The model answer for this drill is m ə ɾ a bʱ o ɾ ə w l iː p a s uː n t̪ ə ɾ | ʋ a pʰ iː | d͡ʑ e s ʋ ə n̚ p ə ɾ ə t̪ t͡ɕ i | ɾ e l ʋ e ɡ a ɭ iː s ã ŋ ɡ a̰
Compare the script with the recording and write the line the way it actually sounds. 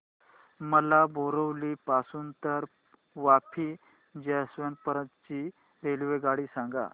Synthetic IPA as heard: m ə l a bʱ o ɾ ə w l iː p a s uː n t̪ ə ɾ | ʋ a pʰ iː | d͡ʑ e s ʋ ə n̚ p ə ɾ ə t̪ t͡ɕ i | ɾ e l ʋ e ɡ a ɽ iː s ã ŋ ɡ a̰